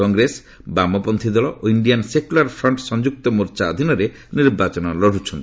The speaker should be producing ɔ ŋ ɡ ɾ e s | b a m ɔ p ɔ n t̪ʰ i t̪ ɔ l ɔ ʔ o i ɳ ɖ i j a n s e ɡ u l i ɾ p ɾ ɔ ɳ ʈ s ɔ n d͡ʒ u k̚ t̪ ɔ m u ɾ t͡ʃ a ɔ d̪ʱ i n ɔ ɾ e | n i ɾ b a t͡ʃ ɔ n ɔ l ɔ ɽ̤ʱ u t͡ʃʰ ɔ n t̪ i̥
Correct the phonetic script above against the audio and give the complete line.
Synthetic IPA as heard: ɔ ŋ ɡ ɾ e s | b a m ɔ p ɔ n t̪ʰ i d̪ ɔ l ɔ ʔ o i ɳ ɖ i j a n s e k u l a ɾ pʰ ɾ ɔ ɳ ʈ s ɔ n d͡ʒ u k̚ t̪ ɔ m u ɾ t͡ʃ a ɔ d̪ʱ i n ɔ ɾ e | n i ɾ b a t͡ʃ ɔ n ɔ l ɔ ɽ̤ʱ u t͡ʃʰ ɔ n t̪ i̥